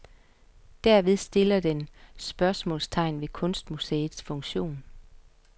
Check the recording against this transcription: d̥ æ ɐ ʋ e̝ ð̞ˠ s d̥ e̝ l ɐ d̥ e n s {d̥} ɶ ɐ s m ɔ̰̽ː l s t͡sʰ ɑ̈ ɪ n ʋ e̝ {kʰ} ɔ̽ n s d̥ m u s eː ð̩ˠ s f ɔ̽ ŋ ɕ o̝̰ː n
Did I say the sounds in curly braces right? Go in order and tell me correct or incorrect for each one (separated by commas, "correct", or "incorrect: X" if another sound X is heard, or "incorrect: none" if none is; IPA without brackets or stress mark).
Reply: incorrect: b̥, correct